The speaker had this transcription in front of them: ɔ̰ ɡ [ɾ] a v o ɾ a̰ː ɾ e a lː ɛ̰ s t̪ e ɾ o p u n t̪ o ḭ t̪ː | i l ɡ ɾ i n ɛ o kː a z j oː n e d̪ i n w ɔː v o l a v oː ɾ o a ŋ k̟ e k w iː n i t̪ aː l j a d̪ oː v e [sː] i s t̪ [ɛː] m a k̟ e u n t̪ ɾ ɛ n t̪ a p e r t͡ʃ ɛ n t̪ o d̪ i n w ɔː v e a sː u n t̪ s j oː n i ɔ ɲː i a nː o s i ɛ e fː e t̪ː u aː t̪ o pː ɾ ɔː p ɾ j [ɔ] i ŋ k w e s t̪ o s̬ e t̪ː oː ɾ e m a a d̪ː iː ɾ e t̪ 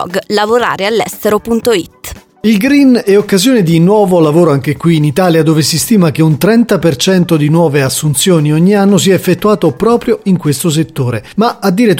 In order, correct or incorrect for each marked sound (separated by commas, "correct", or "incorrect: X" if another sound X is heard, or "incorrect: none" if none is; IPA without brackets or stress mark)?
incorrect: l, incorrect: s, incorrect: iː, incorrect: o